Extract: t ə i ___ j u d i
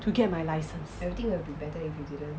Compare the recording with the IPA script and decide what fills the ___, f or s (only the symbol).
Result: f